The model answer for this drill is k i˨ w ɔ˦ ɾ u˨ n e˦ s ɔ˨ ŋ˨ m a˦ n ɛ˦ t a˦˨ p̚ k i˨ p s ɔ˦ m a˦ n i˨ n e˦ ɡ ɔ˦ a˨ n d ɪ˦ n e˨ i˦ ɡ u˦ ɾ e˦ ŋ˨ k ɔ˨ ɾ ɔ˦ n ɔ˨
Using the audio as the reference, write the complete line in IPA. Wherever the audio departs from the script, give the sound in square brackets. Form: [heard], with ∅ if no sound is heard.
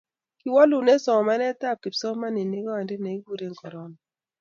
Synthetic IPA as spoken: k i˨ w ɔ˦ [l] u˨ n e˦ s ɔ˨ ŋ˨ m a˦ n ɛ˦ t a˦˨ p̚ k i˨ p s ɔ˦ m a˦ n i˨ n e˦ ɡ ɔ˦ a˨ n d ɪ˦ n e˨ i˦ ɡ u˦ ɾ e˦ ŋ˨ k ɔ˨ ɾ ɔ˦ n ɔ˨